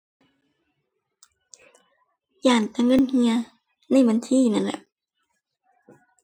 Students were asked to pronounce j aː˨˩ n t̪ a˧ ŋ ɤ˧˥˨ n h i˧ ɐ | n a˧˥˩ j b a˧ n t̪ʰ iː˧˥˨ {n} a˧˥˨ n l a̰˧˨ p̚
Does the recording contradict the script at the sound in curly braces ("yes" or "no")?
no